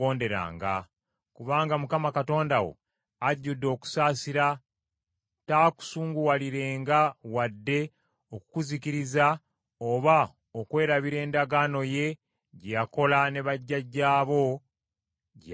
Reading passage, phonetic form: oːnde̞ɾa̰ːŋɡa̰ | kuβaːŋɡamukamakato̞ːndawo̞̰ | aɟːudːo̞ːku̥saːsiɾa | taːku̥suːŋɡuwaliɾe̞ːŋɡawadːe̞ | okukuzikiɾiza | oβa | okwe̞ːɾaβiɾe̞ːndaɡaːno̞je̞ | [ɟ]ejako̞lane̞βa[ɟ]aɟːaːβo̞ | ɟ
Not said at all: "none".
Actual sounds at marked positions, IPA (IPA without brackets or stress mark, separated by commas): ɟ, ɟː